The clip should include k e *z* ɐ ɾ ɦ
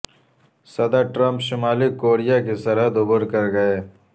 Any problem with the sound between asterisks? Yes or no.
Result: yes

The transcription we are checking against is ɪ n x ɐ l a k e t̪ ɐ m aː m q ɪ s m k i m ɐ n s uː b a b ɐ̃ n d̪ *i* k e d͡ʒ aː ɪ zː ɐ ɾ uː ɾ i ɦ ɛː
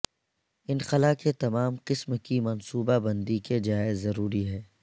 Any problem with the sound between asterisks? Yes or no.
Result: no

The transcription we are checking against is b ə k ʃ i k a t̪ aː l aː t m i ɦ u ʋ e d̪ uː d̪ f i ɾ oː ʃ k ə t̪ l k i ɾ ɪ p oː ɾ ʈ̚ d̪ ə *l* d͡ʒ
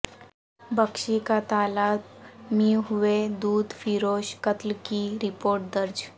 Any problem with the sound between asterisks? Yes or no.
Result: yes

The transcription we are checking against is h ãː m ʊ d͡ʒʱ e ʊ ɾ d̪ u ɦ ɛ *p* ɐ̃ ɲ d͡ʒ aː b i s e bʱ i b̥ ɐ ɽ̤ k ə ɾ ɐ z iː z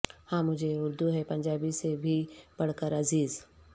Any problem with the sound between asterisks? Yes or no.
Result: no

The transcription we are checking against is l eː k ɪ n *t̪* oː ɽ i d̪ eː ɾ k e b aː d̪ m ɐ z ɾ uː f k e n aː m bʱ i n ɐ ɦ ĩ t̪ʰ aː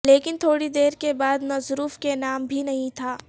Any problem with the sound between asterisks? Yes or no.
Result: yes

